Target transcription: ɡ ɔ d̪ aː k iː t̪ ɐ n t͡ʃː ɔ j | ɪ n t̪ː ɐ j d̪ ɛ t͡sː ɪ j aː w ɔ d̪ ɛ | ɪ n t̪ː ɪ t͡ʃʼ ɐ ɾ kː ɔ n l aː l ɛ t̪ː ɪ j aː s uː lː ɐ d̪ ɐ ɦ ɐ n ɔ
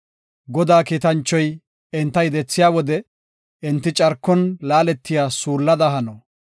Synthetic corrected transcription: ɡ ɔ d̪ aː k iː t̪ ɐ n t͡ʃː ɔ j | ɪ n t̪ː ɐ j d̪ ɛ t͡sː ɪ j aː w ɔ d̪ ɛ | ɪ n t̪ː ɪ t͡ʃʼ ɐ ɾ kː ɔ n l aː l ɛ t̪ː ɪ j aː s uː lː ɐ d̪ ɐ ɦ ɐ n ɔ